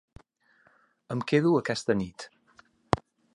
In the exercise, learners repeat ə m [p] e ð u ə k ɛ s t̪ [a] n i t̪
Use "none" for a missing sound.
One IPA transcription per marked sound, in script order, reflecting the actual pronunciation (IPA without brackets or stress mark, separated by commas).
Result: k, ə